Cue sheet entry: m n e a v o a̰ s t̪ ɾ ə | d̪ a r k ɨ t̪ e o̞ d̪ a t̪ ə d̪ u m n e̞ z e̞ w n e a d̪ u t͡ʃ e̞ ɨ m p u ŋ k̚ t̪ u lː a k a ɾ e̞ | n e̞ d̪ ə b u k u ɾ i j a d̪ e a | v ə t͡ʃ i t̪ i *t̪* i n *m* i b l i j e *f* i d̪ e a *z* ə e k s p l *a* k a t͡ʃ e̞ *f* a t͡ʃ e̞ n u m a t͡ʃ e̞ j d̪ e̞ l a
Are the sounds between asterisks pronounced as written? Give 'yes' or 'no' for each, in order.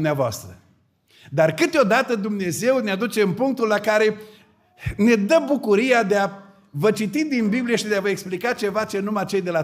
no, no, no, no, no, no

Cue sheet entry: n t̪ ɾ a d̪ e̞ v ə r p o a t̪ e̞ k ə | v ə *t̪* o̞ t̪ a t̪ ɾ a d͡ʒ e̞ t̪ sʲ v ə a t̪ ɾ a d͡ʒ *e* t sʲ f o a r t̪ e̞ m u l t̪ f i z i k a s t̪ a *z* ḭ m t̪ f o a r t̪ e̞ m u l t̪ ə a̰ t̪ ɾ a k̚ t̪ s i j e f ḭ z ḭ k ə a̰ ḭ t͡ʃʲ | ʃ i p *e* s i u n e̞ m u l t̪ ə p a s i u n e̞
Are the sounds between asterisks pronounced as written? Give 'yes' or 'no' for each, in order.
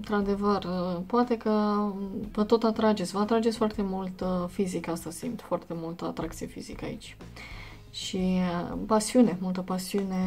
yes, yes, no, no

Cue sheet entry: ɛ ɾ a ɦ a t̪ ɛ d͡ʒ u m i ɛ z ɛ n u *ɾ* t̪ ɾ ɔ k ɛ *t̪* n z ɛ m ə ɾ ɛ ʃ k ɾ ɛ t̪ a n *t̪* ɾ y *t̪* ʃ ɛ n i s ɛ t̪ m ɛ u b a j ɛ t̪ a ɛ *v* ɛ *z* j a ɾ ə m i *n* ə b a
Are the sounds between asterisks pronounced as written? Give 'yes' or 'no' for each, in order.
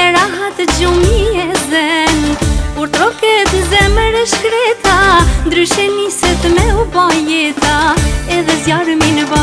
yes, yes, no, no, no, yes, yes

